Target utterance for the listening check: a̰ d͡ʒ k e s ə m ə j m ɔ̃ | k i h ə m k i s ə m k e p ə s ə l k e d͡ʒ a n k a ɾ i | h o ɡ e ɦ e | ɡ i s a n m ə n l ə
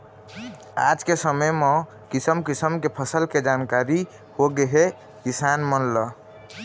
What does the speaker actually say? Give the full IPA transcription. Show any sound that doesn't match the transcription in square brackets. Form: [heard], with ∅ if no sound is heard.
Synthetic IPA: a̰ d͡ʒ k e s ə m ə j m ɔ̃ | k i [s] ə m k i s ə m k e [pʰ] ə s ə l k e d͡ʒ a n k a ɾ i | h o ɡ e ɦ e | [k] i s a n m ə n l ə